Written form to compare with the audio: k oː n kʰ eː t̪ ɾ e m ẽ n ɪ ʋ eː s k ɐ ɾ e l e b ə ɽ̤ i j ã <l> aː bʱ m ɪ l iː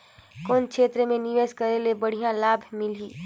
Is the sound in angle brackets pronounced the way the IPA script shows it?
yes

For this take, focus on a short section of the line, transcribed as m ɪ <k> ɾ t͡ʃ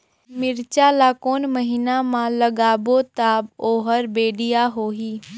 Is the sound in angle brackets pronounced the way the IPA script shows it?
no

